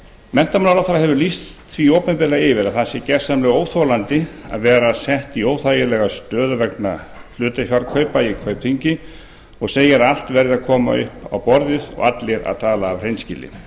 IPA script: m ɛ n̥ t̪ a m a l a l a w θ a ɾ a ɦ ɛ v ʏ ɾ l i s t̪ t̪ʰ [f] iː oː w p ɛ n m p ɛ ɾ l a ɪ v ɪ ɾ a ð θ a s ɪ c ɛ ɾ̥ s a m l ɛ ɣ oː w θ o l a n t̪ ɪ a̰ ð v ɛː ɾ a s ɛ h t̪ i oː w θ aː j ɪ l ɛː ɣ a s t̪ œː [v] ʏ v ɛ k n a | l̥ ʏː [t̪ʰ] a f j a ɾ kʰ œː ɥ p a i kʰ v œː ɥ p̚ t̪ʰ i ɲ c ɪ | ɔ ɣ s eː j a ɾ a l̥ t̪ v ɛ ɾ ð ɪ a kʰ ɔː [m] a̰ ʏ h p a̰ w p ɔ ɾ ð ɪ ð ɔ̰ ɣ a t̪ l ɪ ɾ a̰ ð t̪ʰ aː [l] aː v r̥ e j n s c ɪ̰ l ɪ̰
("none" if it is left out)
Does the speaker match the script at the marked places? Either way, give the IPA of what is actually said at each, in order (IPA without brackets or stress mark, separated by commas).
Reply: v, ð, t̪, m, l